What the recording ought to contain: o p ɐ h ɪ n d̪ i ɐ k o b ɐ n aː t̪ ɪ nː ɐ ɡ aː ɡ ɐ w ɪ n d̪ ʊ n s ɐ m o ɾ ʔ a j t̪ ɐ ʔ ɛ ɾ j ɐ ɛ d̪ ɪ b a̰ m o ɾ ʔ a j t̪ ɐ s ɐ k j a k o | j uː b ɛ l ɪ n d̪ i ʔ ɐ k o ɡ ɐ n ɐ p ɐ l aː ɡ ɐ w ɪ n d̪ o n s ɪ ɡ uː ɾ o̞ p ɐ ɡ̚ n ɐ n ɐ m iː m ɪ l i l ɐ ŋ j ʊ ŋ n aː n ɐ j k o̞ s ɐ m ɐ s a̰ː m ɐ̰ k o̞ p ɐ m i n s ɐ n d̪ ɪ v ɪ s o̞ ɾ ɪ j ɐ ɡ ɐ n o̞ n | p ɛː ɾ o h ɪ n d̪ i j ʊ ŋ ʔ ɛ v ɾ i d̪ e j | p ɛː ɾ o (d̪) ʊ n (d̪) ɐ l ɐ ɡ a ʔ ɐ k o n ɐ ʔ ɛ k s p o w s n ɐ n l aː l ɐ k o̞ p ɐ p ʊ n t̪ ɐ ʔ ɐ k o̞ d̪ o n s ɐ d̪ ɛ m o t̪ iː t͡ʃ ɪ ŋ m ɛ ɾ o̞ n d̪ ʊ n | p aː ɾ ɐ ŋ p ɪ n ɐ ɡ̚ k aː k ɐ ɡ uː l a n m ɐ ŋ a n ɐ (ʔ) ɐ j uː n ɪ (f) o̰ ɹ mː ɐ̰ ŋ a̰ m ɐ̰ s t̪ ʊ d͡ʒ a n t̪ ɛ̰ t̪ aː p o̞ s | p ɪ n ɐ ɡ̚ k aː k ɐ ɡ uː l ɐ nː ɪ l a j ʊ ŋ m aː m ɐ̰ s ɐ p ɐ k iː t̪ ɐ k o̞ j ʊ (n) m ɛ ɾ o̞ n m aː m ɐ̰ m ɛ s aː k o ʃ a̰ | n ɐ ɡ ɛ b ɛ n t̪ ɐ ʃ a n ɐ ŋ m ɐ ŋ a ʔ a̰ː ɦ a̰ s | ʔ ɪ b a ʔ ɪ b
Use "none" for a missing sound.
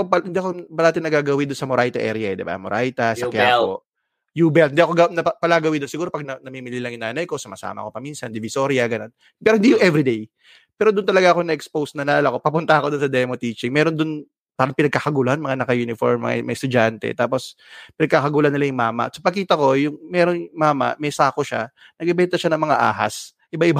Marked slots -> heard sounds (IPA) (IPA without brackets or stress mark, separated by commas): d̪, t̪, k, f, ŋ